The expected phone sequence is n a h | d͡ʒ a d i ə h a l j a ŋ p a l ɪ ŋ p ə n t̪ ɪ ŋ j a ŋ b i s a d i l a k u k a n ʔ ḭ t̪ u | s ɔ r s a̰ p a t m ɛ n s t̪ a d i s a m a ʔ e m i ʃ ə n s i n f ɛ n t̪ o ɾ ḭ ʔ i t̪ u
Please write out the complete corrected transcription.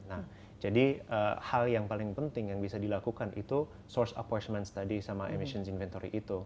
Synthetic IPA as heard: n a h | d͡ʒ a d i ə h a l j a ŋ p a l ɪ ŋ p ə n t̪ ɪ ŋ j a ŋ b i s a d i l a k u k a n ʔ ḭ t̪ u | s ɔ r s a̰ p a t m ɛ n s t̪ a d i s a m a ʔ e m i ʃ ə n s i n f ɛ n t̪ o ɾ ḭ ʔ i t̪ u